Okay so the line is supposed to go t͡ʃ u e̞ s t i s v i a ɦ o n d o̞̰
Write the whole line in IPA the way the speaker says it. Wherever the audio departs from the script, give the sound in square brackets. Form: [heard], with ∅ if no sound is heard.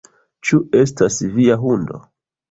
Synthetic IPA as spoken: t͡ʃ u e̞ s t [a] s v i a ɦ [u] n d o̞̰